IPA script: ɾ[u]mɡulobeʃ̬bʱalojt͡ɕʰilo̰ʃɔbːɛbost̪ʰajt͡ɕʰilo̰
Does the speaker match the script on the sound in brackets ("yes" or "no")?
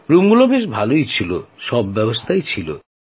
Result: yes